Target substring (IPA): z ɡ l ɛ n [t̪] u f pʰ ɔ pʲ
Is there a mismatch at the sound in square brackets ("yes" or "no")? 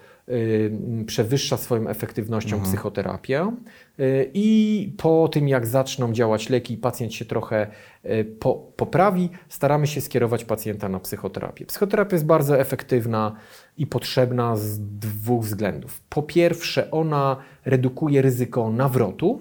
yes